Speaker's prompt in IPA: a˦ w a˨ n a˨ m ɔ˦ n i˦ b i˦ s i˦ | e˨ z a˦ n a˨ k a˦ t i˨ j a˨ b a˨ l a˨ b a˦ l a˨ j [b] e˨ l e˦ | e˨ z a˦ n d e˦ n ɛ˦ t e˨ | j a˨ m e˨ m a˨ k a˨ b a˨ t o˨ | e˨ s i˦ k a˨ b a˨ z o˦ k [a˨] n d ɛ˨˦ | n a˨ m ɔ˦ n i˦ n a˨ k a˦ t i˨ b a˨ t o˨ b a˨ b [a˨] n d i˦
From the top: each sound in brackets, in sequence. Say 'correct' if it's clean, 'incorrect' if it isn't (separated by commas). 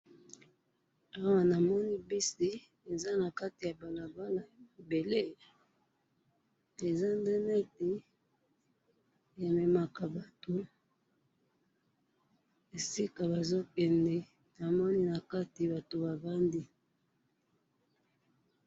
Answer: correct, incorrect, incorrect